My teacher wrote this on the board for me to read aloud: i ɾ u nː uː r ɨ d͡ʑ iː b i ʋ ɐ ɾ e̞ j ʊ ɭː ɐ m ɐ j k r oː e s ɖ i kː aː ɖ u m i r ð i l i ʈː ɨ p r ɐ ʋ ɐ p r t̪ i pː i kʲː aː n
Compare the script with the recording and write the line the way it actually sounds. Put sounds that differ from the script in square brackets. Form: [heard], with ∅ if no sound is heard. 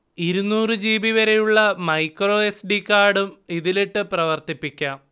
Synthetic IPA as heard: i ɾ u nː uː r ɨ d͡ʑ iː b i ʋ ɐ ɾ e̞ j [u] ɭː ɐ m ɐ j k r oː e s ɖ i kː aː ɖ u m i [∅] ð i l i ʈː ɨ p r ɐ ʋ ɐ [∅] r t̪ i pː i kʲː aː [m]